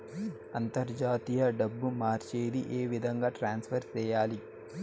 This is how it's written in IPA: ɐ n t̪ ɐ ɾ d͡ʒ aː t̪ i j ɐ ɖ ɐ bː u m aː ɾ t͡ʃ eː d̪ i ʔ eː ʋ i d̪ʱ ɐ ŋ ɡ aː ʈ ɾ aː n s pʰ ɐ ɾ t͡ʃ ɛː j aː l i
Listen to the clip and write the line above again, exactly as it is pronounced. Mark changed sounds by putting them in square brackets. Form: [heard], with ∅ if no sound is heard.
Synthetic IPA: ɐ n t̪ ɐ ɾ d͡ʒ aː t̪ i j ɐ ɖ ɐ bː u m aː ɾ t͡ʃ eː d̪ i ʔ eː ʋ i d̪ʱ ɐ ŋ ɡ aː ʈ ɾ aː n s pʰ ɐ ɾ t͡ʃ ɛː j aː l i